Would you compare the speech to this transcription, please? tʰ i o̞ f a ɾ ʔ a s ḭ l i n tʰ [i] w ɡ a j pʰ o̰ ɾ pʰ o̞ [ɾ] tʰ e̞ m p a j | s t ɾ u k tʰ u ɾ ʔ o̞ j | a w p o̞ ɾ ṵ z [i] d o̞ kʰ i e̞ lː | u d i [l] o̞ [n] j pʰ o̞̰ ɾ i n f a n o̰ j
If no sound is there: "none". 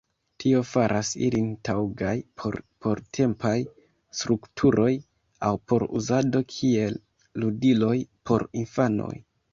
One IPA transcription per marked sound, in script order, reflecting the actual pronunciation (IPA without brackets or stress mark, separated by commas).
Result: a, ɾ, a, l, none